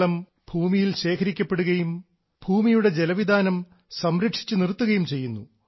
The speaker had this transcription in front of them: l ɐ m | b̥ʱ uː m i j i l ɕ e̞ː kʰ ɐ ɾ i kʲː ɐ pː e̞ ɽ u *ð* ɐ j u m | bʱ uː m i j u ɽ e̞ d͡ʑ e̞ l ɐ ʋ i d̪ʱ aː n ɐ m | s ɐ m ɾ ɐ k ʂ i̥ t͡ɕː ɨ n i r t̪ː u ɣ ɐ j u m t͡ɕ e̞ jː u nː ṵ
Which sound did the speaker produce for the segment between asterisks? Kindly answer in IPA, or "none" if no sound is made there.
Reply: ɣ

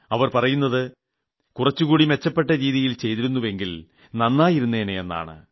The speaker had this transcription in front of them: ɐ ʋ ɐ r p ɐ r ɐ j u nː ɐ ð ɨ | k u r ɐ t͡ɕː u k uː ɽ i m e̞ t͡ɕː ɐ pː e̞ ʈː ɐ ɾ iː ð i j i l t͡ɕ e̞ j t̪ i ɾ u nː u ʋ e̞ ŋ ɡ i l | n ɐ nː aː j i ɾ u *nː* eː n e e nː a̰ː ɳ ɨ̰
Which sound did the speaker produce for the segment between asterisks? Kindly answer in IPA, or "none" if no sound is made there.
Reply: nː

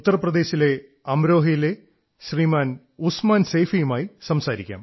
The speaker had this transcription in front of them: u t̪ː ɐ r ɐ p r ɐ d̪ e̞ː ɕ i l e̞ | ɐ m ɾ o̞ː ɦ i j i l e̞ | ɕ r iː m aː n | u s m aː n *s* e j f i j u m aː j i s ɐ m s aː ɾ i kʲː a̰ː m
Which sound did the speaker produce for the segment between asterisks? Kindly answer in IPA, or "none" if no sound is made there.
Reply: s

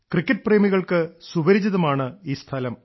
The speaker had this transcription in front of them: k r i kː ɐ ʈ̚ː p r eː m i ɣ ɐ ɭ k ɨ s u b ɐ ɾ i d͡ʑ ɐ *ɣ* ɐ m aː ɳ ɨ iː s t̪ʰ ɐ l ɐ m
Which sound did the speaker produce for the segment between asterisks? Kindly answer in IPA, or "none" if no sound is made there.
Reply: ð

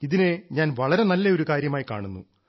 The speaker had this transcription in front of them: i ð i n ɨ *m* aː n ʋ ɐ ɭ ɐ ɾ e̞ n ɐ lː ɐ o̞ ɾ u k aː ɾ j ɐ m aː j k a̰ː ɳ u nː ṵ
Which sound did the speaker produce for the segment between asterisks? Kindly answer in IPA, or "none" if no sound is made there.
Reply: ɲ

